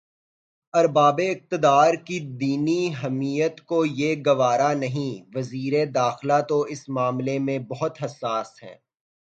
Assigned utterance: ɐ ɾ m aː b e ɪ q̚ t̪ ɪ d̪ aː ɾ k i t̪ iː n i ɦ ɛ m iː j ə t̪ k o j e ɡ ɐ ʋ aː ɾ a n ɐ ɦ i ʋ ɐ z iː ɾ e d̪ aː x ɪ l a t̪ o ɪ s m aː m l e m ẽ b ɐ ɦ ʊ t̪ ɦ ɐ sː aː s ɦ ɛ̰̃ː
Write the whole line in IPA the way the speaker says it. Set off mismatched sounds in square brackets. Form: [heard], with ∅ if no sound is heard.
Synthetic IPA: ɐ ɾ [b] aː b e ɪ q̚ t̪ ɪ d̪ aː ɾ k i [d̪] iː n i ɦ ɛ m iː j ə t̪ k o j e ɡ ɐ ʋ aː ɾ a n ɐ ɦ [ĩ] ʋ ɐ z iː ɾ e d̪ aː x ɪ l a t̪ o ɪ s m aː m l e m ẽ b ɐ ɦ ʊ t̪ ɦ ɐ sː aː s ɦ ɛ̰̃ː